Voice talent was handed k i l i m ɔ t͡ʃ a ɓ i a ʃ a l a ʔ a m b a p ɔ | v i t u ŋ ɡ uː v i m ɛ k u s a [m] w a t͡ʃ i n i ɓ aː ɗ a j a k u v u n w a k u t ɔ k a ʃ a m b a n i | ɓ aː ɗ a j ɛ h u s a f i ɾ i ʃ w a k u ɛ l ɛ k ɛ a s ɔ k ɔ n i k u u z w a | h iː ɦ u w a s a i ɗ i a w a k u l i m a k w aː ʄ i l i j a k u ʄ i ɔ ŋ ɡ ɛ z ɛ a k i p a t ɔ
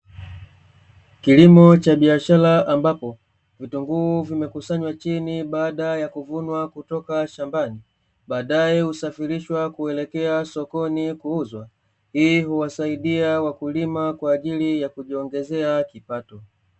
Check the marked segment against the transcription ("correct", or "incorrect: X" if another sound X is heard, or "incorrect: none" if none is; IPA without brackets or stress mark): incorrect: ɲ